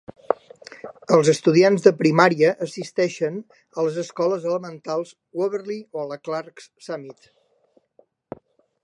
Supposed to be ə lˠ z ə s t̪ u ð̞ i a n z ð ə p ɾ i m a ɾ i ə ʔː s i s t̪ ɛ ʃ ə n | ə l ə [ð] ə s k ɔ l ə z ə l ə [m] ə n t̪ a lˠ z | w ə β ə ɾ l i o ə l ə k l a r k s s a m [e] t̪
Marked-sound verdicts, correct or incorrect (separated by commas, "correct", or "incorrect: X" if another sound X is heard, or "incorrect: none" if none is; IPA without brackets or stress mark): incorrect: z, correct, incorrect: i